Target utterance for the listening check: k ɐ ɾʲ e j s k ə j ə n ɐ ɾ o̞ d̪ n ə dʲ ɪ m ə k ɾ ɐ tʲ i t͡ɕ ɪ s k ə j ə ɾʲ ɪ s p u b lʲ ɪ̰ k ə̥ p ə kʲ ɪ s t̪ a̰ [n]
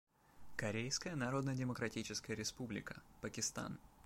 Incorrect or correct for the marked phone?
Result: correct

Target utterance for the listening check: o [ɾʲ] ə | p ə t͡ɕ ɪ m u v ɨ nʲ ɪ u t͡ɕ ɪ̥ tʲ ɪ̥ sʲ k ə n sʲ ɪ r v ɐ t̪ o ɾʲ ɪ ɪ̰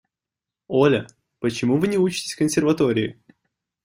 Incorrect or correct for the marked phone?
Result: incorrect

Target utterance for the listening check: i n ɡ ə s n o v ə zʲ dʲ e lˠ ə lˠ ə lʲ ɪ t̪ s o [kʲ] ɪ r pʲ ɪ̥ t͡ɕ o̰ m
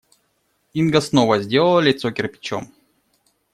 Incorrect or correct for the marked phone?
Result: correct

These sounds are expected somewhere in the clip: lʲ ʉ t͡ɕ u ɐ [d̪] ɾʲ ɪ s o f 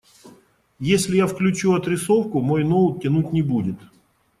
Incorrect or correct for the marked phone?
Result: incorrect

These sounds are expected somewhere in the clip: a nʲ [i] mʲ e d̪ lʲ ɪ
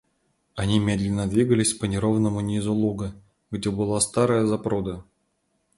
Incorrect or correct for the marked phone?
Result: correct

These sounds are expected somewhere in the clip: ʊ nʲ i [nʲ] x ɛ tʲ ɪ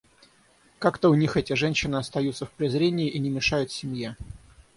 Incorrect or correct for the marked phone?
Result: incorrect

